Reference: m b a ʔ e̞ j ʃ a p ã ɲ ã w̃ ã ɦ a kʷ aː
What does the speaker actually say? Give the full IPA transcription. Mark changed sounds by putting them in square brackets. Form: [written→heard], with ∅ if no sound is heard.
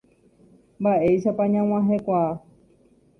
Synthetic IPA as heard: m b a ʔ e̞ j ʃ a p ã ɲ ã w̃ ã ɦ [a→e] kʷ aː